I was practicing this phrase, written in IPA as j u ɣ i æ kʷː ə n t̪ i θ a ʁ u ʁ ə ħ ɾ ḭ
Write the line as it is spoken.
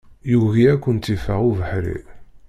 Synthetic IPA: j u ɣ i æ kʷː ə n t̪ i f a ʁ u v ə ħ ɾ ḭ